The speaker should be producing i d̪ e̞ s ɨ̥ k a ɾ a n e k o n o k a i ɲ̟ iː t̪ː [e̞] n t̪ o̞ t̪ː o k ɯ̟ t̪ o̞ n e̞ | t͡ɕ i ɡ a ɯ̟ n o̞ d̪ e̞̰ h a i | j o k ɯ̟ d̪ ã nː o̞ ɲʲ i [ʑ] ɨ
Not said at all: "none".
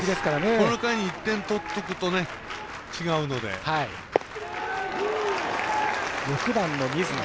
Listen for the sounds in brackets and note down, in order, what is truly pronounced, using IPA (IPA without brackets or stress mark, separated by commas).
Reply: ẽ̞, z